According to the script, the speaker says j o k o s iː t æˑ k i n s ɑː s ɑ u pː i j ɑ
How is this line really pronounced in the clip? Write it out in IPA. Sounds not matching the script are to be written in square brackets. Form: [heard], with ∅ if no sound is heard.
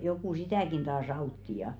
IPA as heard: j o k [u] s [i] t æˑ k i n [t] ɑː s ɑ u [tː] i j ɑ